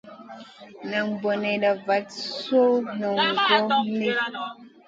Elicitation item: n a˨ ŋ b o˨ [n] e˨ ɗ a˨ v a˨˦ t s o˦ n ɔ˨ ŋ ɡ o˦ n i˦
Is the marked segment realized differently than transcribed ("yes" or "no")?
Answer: no